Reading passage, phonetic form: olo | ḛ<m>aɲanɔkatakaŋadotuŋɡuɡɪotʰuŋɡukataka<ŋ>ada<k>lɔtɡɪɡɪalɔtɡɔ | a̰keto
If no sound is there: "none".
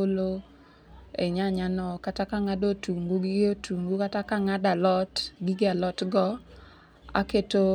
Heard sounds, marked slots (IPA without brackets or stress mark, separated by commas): ɲ, ŋ, none